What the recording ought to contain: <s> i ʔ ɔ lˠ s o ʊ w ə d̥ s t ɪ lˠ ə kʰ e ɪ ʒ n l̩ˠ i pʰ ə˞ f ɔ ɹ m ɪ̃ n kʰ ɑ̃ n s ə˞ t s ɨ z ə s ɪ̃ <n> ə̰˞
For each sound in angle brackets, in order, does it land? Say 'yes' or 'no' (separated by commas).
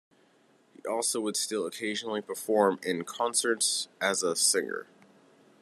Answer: no, no